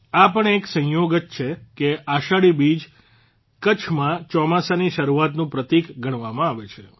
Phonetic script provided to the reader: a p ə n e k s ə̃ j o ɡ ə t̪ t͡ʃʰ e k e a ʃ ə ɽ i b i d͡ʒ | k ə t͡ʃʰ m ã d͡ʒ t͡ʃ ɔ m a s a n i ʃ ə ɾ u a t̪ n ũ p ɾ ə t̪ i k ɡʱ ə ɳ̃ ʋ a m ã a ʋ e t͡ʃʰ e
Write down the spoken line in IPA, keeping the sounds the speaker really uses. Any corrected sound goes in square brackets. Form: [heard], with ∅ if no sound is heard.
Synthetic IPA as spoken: a p ə [ɳ] e k s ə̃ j o ɡ ə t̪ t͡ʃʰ e k e a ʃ [a] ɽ i b i d͡ʒ | k ə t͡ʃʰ m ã [∅] t͡ʃ ɔ m a s a n i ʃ ə ɾ u a t̪ n ũ p ɾ ə t̪ i k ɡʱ ə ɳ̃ ʋ a m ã a ʋ e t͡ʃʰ e